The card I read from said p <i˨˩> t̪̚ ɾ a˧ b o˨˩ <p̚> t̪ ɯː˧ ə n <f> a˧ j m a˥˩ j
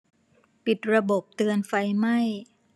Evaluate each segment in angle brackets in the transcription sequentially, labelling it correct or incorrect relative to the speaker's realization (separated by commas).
correct, correct, correct